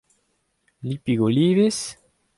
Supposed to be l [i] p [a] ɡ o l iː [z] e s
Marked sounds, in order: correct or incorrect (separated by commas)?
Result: correct, incorrect, incorrect